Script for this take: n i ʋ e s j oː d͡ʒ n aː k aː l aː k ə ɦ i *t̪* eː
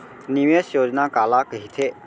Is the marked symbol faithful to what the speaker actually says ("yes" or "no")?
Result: no